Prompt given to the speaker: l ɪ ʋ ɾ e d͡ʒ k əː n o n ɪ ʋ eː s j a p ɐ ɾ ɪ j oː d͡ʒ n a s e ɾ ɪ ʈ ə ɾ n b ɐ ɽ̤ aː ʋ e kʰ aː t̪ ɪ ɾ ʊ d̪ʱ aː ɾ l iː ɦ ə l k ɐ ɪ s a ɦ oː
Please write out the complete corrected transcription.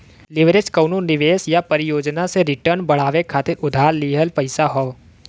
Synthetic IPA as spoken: l ɪ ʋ ɾ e d͡ʒ k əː n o n ɪ ʋ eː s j a p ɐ ɾ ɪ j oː d͡ʒ n a s e ɾ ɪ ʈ ə ɾ n b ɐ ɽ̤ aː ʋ e kʰ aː t̪ ɪ ɾ ʊ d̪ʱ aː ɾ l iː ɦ ə l p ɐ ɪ s a ɦ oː